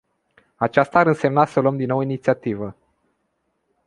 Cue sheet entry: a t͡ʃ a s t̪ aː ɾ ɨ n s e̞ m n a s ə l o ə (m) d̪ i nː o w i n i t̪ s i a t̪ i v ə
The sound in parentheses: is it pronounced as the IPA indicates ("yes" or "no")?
yes